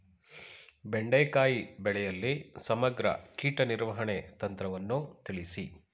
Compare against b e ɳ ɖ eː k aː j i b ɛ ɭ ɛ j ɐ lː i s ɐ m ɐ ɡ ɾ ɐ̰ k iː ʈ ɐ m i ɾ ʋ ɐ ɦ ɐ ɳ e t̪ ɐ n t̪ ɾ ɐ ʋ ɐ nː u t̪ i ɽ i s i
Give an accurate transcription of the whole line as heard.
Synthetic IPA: b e ɳ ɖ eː k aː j i b ɛ ɭ ɛ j ɐ lː i s ɐ m ɐ ɡ ɾ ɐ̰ k iː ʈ ɐ n i ɾ ʋ ɐ ɦ ɐ ɳ e t̪ ɐ n t̪ ɾ ɐ ʋ ɐ nː u t̪ i ɭ i s i